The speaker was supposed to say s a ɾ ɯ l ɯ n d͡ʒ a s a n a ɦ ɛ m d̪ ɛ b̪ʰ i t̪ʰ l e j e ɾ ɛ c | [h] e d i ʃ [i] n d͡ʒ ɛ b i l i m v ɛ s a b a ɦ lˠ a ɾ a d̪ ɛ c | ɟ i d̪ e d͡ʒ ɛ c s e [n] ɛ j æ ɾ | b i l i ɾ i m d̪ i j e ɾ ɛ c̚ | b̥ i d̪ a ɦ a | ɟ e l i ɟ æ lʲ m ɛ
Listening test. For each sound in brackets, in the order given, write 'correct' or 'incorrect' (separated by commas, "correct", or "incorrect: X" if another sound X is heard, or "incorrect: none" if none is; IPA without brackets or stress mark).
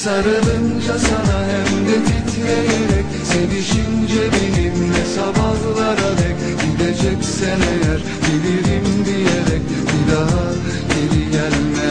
incorrect: s, correct, correct